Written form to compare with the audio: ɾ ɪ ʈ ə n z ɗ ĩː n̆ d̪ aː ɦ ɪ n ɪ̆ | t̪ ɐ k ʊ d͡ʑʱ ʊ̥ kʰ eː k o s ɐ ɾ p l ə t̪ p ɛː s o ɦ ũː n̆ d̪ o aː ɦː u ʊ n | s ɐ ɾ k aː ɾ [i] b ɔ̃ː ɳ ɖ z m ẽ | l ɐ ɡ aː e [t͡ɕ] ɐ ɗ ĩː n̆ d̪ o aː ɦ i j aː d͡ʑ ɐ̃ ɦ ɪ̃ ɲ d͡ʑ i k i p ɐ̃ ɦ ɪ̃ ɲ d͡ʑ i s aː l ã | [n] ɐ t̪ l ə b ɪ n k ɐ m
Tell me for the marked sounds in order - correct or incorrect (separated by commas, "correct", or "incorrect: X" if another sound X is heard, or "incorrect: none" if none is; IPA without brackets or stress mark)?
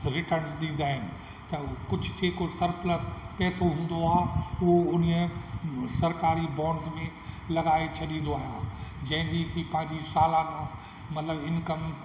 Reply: correct, incorrect: t͡ɕʰ, incorrect: m